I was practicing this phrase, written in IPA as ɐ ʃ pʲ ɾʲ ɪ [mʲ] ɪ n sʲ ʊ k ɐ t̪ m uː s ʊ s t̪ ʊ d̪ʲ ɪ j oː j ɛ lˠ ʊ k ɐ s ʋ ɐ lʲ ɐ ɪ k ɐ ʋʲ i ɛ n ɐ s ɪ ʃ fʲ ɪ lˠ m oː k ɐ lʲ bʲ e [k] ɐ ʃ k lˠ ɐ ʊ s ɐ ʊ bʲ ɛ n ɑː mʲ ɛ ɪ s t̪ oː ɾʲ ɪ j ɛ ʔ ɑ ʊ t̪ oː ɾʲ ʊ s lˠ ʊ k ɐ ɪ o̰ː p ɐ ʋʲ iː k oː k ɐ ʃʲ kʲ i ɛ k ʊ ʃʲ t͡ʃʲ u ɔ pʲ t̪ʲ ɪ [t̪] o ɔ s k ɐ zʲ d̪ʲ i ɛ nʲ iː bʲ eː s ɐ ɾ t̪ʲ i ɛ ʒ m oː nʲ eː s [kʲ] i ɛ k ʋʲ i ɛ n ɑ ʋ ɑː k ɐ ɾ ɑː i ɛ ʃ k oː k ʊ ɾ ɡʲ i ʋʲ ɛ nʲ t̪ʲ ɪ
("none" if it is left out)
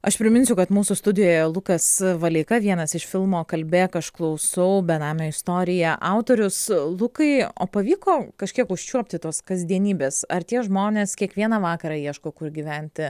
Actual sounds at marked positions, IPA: mʲ, k, t̪, kʲ

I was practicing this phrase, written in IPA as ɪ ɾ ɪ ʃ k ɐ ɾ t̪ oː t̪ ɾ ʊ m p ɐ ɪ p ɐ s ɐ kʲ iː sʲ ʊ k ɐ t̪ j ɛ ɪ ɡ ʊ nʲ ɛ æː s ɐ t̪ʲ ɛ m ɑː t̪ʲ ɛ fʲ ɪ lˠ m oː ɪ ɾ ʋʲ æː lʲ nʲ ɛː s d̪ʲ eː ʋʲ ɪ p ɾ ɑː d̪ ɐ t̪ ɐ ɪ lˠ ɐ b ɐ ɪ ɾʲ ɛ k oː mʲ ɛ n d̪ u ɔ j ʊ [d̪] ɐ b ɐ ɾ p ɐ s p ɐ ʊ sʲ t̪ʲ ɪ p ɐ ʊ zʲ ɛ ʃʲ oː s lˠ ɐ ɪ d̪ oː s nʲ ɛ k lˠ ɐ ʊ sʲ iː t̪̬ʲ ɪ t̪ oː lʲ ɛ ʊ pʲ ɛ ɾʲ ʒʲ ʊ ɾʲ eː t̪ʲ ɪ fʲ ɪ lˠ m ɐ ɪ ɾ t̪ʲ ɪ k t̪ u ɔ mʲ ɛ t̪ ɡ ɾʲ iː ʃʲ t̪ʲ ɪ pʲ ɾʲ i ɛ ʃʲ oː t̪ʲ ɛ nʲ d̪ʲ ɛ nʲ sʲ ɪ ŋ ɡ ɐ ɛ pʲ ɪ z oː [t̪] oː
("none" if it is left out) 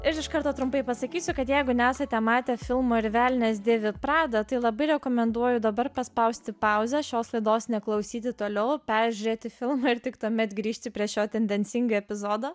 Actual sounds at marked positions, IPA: d̪, d̪

